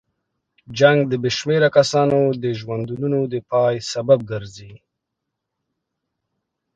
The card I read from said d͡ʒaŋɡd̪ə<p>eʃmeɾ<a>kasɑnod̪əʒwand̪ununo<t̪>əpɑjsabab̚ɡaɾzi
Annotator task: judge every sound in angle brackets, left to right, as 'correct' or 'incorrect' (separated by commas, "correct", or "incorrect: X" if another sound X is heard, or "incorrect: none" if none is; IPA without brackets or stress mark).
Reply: incorrect: b, correct, incorrect: d̪